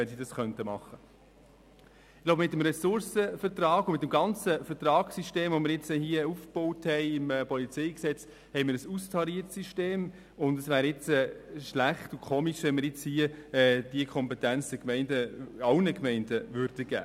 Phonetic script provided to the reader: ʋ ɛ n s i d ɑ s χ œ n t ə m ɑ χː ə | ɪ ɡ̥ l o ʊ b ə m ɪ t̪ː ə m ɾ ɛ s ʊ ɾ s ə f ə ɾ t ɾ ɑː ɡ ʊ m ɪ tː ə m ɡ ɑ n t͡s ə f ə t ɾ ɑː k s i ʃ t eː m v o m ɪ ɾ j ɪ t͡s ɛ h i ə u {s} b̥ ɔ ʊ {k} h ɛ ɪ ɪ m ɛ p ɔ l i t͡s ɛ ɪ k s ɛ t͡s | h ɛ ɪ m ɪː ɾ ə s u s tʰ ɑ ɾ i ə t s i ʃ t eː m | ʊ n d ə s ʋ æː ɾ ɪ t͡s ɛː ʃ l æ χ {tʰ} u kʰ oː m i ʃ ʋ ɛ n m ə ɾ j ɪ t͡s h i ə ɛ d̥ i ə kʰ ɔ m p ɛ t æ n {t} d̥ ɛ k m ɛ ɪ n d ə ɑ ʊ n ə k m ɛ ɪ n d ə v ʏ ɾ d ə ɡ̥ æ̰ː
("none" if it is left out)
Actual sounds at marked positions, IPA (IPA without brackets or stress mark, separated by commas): f, t, t, t͡s